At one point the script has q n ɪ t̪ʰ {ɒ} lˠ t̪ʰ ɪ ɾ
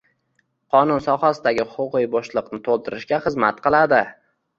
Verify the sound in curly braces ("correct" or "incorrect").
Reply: incorrect